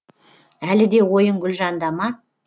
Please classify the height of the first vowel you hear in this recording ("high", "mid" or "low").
low